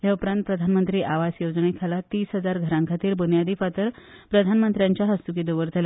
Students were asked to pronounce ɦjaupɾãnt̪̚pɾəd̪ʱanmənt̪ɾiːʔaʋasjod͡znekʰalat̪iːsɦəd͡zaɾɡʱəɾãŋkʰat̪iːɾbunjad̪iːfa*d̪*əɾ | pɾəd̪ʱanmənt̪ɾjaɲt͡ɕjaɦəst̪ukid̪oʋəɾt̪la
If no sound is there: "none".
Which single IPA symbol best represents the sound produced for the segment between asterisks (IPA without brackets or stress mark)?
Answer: t̪